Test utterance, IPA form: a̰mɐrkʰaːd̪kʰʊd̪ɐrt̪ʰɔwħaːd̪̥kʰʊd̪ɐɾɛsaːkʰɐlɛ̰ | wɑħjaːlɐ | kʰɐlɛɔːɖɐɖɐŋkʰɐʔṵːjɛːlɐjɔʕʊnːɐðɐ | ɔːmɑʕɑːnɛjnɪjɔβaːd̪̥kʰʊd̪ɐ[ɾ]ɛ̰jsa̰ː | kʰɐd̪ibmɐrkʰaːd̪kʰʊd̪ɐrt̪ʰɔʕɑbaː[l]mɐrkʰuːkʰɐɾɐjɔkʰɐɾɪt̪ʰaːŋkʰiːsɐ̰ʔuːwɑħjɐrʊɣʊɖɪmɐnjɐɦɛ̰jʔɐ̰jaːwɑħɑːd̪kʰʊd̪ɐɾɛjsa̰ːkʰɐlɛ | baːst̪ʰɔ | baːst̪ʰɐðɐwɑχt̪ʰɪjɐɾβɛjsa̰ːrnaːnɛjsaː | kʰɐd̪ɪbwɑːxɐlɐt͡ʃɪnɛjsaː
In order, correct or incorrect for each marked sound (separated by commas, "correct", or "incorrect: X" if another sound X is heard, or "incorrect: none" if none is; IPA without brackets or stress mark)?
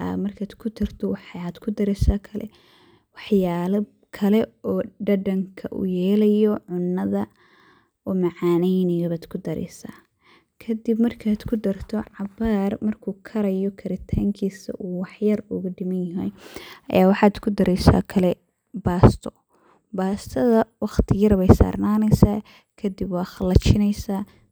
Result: correct, incorrect: r